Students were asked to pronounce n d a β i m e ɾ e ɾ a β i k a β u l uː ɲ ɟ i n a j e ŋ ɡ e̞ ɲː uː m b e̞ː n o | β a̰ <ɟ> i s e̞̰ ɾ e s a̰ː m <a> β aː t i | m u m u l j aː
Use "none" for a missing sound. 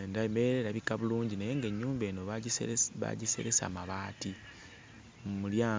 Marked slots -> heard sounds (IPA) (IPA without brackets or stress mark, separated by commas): ɟ, a